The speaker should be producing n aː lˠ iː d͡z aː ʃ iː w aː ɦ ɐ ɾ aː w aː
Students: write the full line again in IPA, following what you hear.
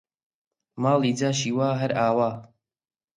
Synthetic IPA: m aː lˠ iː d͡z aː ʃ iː w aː ɦ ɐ ɾ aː w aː